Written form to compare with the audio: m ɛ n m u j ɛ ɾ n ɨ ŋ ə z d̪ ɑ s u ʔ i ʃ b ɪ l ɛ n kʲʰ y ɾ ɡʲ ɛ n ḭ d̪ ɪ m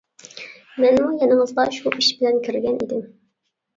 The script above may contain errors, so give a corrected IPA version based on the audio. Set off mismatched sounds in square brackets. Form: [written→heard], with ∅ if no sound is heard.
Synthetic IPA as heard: m ɛ n m u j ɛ [ɾ→∅] n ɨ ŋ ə z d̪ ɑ [s→ʃ] u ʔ i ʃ b ɪ l ɛ n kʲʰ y ɾ ɡʲ ɛ n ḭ d̪ ɪ m